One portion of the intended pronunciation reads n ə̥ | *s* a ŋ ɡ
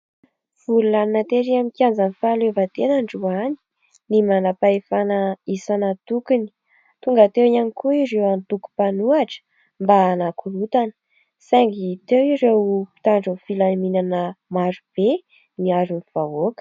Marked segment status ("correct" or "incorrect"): correct